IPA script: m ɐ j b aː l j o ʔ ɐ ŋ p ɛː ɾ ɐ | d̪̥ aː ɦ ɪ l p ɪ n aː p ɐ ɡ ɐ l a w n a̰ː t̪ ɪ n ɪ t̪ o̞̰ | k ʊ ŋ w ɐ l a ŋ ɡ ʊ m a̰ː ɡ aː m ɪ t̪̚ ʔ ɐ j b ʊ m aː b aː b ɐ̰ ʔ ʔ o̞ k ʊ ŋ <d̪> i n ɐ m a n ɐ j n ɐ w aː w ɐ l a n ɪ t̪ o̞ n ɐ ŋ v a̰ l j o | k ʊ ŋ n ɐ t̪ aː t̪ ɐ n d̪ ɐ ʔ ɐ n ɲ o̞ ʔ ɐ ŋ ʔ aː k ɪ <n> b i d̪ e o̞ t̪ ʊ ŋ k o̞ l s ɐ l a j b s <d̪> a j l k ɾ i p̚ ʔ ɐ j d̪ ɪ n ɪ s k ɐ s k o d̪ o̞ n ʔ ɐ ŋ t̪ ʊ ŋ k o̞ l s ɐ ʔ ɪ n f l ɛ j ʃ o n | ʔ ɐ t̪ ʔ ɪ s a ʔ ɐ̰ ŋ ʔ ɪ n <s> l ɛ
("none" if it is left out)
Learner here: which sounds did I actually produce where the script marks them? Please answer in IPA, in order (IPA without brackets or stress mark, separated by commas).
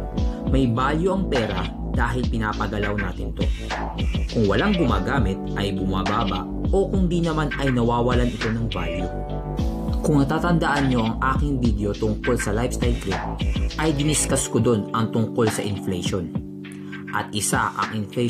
d̪, ŋ, t̪, f